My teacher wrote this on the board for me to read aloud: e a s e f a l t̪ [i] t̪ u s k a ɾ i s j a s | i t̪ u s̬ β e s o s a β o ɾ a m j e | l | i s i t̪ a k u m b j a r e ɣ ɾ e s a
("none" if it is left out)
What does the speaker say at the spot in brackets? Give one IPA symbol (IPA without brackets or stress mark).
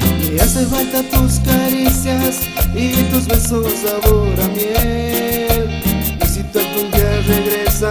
a